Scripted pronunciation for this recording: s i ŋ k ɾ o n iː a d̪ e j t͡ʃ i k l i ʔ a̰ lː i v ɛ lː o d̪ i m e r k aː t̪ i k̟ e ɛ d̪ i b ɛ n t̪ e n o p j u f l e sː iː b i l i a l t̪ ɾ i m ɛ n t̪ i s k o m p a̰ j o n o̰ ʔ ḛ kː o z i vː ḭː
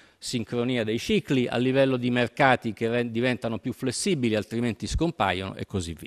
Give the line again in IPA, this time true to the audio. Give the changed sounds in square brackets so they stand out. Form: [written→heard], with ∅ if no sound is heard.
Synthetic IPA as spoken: s i ŋ k ɾ o n iː a d̪ e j t͡ʃ i k l i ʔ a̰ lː i v ɛ lː o d̪ i m e r k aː t̪ i k̟ e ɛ d̪ i [b→v] ɛ n t̪ [e→a] n o p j u f l e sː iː b i l i a l t̪ ɾ i m [ɛ→e] n t̪ i s k o m p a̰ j o n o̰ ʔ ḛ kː o z i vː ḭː